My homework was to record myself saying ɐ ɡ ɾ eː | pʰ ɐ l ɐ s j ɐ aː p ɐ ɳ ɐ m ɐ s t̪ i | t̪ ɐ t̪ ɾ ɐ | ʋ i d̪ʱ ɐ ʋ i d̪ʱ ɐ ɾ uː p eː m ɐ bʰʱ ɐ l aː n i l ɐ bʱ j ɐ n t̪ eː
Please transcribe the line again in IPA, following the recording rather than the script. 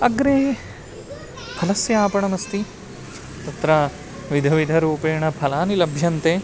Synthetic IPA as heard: ɐ ɡ ɾ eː | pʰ ɐ l ɐ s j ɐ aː p ɐ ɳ ɐ m ɐ s t̪ i | t̪ ɐ t̪ ɾ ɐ | ʋ i d̪ʱ ɐ ʋ i d̪ʱ ɐ ɾ uː p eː ɳ ɐ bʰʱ ɐ l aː n i l ɐ bʱ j ɐ n t̪ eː